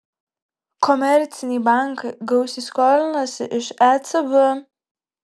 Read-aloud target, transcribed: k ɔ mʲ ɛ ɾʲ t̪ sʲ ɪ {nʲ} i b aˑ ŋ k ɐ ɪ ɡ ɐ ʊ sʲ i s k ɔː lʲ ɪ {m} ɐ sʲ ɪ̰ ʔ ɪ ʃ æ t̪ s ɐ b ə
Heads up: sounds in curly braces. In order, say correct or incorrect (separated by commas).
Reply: correct, incorrect